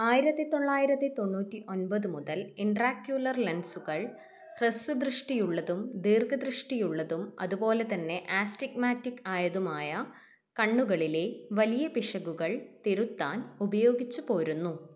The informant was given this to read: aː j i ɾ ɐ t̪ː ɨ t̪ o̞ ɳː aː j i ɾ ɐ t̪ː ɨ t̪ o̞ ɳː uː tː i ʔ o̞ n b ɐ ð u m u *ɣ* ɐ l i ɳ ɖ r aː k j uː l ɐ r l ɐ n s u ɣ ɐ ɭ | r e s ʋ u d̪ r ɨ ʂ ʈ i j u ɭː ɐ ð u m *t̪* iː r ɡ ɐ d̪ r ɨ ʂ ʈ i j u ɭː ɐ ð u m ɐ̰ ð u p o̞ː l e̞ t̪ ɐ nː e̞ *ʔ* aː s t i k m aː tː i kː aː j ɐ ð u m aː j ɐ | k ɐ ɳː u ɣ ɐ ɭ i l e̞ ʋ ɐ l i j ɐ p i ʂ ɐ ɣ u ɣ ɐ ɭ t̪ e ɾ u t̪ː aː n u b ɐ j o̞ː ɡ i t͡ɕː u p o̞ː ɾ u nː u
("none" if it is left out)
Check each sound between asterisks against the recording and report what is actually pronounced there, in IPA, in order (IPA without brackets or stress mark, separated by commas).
ð, d̪, ʔ